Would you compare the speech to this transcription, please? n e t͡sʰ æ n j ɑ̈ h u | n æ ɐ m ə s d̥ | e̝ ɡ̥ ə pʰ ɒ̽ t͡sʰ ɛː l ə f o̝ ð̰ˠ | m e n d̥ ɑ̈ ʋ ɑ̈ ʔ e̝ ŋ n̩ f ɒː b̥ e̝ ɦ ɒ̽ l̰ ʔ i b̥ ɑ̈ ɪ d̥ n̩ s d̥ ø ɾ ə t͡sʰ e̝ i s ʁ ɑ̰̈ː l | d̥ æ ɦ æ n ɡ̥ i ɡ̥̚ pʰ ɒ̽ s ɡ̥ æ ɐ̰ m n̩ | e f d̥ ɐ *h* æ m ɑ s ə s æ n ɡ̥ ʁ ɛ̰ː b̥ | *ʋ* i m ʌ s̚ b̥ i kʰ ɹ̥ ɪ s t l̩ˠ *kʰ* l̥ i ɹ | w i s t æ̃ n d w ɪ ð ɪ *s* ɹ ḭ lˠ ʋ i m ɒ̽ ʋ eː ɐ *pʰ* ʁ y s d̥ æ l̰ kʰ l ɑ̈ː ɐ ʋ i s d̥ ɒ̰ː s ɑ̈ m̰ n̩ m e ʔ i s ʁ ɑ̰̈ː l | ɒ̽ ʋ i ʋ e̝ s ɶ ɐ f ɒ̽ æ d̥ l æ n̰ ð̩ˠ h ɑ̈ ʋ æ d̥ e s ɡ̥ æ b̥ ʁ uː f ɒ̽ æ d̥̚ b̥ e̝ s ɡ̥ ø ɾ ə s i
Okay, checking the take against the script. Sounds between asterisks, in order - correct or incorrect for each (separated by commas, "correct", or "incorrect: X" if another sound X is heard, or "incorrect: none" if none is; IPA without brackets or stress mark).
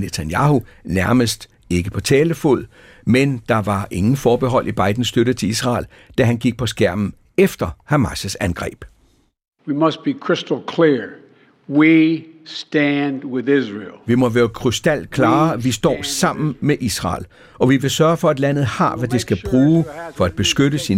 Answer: correct, incorrect: w, correct, incorrect: z, incorrect: kʰ